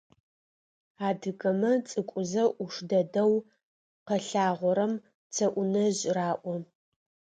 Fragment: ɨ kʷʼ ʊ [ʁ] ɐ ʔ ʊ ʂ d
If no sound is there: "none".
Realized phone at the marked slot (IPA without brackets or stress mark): z